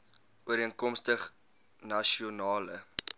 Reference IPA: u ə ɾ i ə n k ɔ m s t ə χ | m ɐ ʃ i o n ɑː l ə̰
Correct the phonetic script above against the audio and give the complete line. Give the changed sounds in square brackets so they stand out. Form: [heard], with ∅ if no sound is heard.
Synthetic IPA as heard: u ə ɾ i ə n k ɔ m s t ə χ | [n] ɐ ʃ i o n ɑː l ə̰